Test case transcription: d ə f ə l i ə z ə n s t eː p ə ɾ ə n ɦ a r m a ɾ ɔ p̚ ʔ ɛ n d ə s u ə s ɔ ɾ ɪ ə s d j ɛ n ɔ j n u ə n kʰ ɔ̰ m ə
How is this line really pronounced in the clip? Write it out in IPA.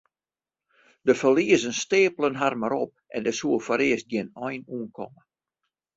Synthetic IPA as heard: d ə f ə l i ə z ə n s t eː p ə l ə n ɦ a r m a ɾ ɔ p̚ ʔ ɛ n d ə s u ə f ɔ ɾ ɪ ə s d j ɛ n ɔ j n u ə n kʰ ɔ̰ m ə